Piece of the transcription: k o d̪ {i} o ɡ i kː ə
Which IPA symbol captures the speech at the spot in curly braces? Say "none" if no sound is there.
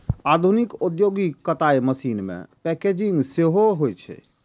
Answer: j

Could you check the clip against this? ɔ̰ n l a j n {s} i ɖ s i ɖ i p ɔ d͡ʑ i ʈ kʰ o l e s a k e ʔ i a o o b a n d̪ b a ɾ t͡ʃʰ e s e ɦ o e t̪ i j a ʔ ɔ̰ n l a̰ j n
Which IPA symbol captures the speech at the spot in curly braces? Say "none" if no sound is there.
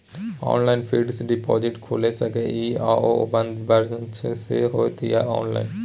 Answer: f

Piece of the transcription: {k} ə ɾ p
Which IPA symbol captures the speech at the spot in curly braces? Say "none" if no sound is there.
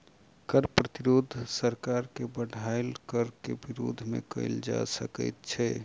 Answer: k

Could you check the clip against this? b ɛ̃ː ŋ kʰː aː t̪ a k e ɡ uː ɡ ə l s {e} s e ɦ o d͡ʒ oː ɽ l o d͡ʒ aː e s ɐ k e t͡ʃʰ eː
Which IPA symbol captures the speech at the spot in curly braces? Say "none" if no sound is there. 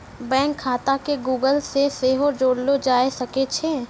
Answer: e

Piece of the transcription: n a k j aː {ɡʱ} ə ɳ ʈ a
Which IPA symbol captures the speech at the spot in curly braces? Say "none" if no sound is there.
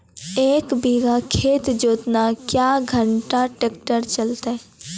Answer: ɡʱ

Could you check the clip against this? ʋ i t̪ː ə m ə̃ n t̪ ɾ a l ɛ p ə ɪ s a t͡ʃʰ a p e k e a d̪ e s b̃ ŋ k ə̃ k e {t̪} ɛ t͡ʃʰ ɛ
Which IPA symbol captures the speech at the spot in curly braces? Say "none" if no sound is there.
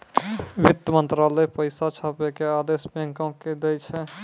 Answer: d̪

